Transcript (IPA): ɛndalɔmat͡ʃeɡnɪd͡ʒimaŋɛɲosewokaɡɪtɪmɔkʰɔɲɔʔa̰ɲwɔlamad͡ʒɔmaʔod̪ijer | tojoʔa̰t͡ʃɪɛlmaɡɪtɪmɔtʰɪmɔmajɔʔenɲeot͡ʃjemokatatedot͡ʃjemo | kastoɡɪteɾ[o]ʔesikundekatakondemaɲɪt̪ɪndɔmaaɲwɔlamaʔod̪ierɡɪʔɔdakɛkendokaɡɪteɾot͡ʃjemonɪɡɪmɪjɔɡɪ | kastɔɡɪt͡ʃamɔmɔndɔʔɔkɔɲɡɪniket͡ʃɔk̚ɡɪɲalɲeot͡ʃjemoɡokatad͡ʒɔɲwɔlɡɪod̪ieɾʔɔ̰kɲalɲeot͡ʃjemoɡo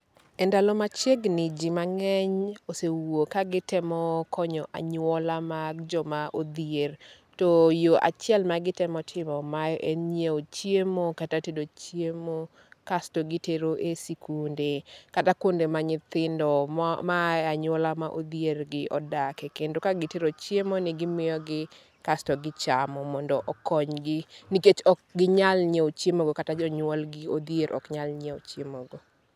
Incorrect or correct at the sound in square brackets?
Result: correct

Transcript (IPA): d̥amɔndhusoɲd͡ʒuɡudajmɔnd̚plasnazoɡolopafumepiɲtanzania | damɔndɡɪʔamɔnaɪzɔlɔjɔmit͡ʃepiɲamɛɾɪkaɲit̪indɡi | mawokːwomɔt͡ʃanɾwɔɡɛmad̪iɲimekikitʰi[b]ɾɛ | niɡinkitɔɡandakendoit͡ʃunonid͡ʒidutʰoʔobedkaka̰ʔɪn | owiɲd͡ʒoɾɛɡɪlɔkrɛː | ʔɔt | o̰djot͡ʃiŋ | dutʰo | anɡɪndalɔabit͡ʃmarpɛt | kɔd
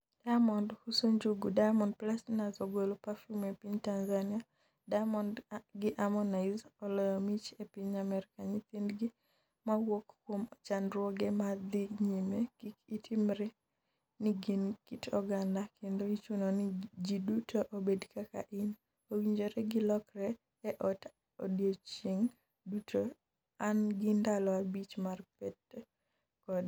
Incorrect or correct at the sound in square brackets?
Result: incorrect: m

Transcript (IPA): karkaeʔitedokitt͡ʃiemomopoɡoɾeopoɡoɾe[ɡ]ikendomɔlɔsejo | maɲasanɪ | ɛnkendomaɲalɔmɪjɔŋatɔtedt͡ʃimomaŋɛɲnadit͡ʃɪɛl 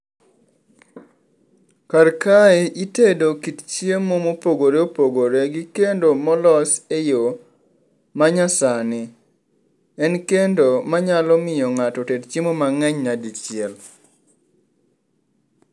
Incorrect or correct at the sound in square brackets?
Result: correct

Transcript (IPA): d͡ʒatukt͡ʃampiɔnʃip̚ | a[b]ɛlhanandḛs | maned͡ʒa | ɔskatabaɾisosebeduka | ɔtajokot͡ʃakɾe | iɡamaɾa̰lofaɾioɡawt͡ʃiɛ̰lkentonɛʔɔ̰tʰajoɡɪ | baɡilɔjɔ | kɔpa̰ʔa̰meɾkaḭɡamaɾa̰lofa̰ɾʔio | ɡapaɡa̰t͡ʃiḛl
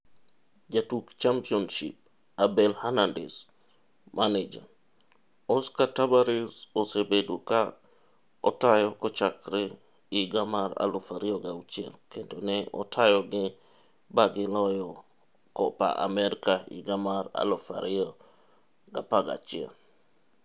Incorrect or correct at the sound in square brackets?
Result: correct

